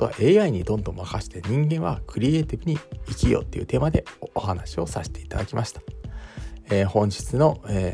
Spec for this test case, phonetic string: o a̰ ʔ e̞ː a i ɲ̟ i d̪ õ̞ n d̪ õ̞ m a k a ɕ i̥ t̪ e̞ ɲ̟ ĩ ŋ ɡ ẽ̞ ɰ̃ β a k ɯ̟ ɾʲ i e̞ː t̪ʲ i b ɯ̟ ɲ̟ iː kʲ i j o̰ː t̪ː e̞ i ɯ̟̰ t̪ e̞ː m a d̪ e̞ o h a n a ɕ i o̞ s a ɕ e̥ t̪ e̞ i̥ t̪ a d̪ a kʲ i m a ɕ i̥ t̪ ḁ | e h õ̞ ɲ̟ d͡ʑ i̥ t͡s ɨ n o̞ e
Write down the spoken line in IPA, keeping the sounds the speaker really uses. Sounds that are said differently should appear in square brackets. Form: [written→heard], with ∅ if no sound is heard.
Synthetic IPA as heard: o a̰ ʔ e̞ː a i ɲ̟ i d̪ õ̞ n d̪ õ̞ m a k a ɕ i̥ t̪ e̞ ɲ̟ ĩ ŋ ɡ ẽ̞ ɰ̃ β a k ɯ̟ ɾʲ i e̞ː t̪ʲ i b ɯ̟ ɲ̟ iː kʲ i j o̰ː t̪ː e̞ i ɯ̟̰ t̪ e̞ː m a d̪ e̞ o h a n a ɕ i o̞ s a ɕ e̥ t̪ e̞ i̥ t̪ a d̪ a kʲ i m a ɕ i̥ t̪ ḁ | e h õ̞ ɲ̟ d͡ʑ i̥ t͡s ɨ n o̞ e